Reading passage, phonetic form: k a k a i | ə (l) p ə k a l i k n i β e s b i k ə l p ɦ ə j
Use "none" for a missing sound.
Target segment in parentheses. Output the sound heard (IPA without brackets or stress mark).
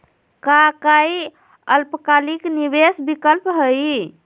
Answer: l